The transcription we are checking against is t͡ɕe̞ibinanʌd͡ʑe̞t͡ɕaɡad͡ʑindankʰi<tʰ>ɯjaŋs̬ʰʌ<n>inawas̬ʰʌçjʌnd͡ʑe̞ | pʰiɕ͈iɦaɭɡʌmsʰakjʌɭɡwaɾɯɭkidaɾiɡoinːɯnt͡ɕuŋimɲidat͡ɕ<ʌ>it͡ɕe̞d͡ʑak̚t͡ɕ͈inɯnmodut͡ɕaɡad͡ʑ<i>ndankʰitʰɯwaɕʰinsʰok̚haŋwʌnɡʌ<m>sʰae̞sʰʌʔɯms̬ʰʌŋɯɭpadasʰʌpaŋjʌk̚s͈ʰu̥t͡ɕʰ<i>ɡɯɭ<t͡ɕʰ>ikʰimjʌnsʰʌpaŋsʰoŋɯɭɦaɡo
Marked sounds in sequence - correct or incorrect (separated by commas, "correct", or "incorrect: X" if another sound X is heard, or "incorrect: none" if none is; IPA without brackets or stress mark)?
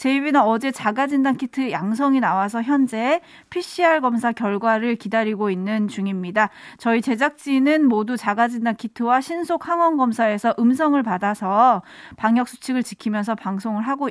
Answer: correct, incorrect: ŋ, correct, correct, correct, correct, incorrect: t͡ɕ